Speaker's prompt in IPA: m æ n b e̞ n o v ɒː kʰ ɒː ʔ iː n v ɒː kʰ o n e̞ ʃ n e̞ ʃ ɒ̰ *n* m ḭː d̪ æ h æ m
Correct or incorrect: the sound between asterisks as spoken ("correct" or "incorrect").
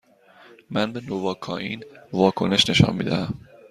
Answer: correct